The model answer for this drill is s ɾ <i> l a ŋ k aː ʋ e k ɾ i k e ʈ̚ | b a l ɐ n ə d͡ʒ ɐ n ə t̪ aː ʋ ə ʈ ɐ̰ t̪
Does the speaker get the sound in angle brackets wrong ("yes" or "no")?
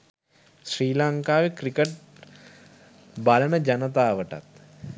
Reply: yes